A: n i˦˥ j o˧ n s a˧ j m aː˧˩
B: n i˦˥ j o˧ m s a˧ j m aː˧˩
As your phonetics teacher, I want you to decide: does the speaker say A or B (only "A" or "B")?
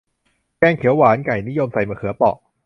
B